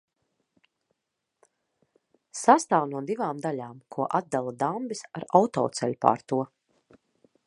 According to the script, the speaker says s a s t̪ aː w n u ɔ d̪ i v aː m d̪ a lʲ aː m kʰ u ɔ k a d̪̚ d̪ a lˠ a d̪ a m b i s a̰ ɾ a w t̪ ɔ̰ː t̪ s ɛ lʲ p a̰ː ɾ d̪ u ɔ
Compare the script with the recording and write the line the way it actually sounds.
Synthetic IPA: s a s t̪ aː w n u ɔ d̪ i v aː m d̪ a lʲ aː m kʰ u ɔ ʔ a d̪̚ d̪ a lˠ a d̪ a m b i s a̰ ɾ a w t̪ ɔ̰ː t̪ s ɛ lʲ p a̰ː ɾ t̪ u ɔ